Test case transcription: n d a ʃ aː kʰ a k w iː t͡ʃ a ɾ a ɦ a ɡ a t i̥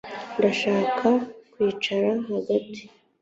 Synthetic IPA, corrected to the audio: n d a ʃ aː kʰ a k w iː t͡ʃ a ɾ a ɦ a ɡ a t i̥